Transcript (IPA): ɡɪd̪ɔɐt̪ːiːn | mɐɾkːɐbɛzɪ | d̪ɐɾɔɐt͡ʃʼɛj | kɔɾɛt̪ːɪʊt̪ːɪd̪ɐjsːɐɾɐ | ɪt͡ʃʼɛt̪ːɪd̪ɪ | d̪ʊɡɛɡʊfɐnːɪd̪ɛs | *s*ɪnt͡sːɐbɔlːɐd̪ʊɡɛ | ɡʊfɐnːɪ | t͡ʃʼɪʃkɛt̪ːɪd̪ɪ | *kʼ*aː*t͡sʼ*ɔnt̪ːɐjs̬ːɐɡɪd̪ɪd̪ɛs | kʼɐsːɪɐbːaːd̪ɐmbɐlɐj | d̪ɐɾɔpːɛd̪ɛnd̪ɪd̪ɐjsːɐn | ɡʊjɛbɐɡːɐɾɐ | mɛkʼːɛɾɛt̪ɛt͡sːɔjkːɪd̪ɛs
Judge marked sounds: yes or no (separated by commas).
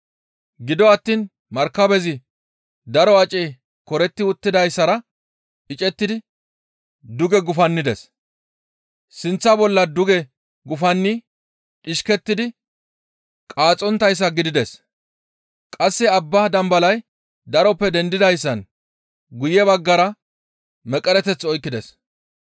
yes, yes, yes